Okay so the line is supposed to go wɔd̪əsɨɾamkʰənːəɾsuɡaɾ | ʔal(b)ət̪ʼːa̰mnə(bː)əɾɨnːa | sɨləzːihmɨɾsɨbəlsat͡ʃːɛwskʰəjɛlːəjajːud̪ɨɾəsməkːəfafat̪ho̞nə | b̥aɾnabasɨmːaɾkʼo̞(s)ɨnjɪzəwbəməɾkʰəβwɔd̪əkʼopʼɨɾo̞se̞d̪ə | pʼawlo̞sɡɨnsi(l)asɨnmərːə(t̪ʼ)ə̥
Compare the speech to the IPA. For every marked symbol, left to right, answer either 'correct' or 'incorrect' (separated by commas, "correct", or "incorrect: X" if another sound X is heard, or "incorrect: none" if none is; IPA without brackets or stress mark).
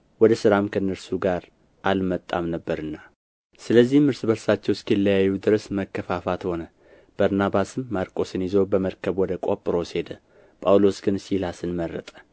incorrect: m, correct, correct, correct, correct